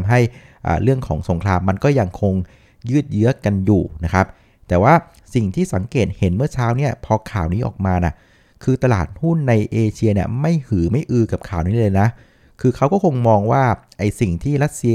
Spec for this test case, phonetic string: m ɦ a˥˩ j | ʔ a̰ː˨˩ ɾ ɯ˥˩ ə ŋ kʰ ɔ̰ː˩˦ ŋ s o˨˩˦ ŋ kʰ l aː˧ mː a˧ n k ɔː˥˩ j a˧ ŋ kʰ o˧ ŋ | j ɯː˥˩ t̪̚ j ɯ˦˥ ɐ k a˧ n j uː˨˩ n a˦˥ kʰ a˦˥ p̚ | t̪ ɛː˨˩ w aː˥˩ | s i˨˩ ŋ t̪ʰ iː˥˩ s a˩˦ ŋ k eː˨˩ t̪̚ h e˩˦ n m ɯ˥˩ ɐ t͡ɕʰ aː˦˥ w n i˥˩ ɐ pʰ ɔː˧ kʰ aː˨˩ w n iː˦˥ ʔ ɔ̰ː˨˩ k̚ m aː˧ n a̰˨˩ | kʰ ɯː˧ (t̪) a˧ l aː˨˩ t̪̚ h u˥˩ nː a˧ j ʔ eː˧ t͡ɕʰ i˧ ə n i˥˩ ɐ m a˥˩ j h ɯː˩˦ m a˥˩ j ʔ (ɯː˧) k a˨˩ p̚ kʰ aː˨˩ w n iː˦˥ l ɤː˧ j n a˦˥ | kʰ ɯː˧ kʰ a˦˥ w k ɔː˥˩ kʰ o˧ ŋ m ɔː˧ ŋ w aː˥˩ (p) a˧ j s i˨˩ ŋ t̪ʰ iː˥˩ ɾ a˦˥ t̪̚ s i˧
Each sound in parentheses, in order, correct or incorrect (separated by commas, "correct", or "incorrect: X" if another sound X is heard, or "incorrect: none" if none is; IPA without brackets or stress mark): correct, correct, incorrect: ʔ